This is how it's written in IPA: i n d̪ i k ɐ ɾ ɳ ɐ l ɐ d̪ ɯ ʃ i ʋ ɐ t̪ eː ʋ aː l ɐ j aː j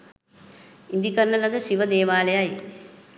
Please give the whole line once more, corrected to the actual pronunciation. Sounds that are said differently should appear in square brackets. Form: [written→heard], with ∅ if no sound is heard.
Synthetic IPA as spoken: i n d̪ i k ɐ ɾ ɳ ɐ l ɐ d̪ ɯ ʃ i ʋ ɐ [t̪→d̪] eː ʋ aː l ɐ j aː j

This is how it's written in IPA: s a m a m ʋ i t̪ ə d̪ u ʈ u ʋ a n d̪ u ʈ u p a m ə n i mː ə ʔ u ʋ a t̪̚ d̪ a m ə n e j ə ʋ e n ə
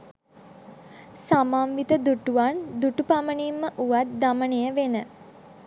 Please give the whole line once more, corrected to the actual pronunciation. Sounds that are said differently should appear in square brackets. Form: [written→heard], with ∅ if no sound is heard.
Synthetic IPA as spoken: s a m a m ʋ i t̪ ə d̪ u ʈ u ʋ a n d̪ u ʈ u p a m ə n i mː ə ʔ u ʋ a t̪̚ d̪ a m ə n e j ə ʋ e n ə

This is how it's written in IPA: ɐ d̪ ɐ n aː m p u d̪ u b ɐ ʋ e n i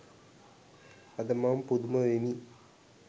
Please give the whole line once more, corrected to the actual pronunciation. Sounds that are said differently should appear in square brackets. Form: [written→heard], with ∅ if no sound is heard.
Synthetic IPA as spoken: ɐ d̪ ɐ [n→m] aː m p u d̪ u [b→m] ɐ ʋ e n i

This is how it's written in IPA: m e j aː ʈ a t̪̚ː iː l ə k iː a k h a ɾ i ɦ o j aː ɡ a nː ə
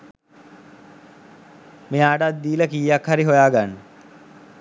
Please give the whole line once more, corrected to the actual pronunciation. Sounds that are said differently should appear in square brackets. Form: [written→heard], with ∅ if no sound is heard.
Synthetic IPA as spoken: m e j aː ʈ a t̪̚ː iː l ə k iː a k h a ɾ i ɦ o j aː ɡ a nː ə

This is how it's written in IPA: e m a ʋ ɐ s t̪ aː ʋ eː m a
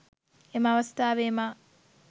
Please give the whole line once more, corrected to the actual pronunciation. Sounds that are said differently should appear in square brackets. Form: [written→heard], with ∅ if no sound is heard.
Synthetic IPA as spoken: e m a ʋ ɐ s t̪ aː ʋ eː m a

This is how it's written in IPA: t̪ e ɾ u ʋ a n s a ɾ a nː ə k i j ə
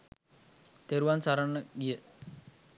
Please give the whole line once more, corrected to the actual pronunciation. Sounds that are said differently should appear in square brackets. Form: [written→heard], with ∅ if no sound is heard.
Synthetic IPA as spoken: t̪ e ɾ u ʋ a n s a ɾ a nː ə [k→ɡ] i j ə

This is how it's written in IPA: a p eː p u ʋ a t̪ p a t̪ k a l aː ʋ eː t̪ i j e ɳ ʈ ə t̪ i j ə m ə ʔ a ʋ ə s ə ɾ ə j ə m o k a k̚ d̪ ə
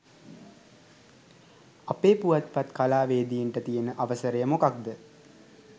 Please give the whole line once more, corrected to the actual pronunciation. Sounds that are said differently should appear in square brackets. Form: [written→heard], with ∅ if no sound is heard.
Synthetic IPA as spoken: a p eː p u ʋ a t̪ p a t̪ k a l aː ʋ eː [t̪→d̪] i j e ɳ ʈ ə t̪ i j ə [m→n] ə ʔ a ʋ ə s ə ɾ ə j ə m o k a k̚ d̪ ə

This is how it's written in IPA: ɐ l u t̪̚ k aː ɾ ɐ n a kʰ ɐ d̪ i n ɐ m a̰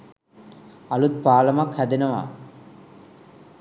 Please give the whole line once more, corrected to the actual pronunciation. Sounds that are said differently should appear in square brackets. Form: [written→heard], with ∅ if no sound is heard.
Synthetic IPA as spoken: ɐ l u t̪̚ [k→p] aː [ɾ→l] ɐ [n→m] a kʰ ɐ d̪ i n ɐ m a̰

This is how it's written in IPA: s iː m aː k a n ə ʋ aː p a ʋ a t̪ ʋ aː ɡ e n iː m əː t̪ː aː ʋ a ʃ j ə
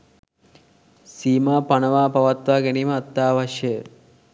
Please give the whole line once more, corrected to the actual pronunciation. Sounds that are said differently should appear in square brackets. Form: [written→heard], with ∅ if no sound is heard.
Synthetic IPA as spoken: s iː m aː [k→p] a n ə ʋ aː p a ʋ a t̪ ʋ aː ɡ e n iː m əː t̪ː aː ʋ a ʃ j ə

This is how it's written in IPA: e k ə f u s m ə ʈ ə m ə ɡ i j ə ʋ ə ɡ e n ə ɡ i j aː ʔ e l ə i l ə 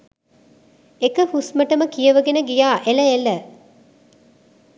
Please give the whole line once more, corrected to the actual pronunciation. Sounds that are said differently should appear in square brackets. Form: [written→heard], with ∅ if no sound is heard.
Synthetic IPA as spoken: e k ə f u s m ə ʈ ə m ə [ɡ→k] i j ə ʋ ə ɡ e n ə ɡ i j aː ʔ e l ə [i→e] l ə

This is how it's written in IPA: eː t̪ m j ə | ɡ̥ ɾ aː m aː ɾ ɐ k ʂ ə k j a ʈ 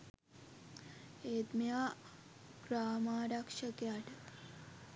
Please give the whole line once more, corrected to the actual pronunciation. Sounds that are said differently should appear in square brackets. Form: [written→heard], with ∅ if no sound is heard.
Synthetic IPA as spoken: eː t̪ m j [ə→a] | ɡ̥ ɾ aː m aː ɾ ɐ k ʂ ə k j a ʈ

